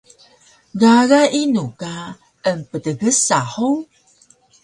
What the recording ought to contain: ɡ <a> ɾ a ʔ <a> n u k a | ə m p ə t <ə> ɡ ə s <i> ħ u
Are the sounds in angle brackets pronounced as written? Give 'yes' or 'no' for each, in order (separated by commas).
yes, no, yes, no